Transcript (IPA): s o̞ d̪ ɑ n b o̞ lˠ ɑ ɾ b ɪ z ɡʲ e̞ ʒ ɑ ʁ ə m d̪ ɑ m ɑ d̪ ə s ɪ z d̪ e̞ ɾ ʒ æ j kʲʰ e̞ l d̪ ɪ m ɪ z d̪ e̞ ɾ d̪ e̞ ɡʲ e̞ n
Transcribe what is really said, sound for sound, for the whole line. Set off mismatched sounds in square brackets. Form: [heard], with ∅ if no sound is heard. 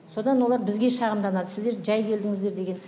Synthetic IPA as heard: s o̞ d̪ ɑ n [w] o̞ lˠ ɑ ɾ b ɪ z ɡʲ e̞ [ʃ] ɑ ʁ ə m d̪ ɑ [n] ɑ d̪ ə s ɪ z d̪ e̞ ɾ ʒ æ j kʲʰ e̞ l d̪ ɪ [ŋ] ɪ z d̪ e̞ ɾ d̪ e̞ ɡʲ e̞ n